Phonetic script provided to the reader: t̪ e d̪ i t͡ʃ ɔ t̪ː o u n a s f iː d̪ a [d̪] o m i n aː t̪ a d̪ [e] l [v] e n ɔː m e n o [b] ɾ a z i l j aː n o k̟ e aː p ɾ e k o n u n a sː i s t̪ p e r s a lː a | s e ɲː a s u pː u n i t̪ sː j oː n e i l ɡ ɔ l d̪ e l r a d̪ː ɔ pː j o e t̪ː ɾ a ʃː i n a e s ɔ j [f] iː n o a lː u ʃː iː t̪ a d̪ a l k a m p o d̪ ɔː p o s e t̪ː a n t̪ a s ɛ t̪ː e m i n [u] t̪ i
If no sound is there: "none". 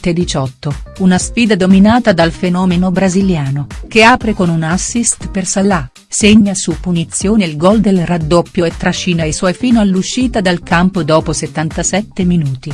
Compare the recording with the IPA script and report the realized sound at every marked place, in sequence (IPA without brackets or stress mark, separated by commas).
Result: d̪, a, f, b, f, uː